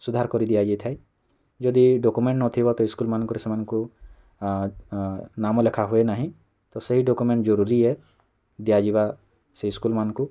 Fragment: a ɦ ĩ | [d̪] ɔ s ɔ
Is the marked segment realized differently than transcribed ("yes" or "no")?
yes